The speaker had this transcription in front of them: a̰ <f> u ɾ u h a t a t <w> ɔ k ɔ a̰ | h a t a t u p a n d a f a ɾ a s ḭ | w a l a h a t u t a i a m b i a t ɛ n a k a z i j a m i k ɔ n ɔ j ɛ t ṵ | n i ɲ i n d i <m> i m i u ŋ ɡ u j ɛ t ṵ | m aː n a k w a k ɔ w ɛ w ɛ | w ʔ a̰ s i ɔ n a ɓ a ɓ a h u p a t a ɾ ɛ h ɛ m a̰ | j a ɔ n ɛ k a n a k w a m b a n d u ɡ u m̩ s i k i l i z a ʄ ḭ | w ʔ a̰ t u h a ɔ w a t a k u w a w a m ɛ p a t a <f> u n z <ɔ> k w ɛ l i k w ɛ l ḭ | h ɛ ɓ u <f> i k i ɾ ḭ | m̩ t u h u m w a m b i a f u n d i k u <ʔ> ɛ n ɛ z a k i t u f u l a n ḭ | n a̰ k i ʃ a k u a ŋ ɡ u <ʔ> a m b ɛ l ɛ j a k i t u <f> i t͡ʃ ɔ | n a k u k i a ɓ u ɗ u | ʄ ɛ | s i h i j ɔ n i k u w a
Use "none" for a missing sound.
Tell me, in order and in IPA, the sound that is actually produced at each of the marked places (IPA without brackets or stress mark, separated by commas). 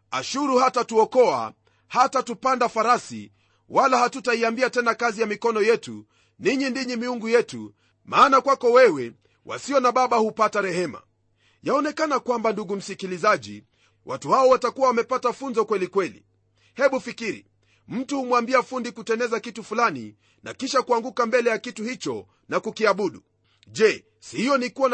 ʃ, u, ɲ, f, ɔ, f, t, k, h